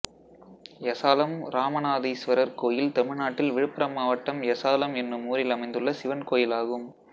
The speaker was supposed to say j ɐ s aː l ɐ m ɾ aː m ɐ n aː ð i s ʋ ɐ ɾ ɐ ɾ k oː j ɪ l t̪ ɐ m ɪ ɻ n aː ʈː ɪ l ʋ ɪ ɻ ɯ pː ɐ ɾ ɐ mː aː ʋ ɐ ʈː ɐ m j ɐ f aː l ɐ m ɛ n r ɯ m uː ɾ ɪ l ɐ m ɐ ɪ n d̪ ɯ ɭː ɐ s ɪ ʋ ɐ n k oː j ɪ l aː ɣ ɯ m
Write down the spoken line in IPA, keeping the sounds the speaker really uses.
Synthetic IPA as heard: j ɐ s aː l ɐ m ɾ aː m ɐ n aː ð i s ʋ ɐ ɾ ɐ ɾ k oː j ɪ l t̪ ɐ m ɪ ɻ n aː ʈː ɪ l ʋ ɪ ɻ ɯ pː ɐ ɾ ɐ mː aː ʋ ɐ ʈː ɐ m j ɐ s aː l ɐ m ɛ n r ɯ m uː ɾ ɪ l ɐ m ɐ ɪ n d̪ ɯ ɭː ɐ s ɪ ʋ ɐ n k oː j ɪ l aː ɣ ɯ m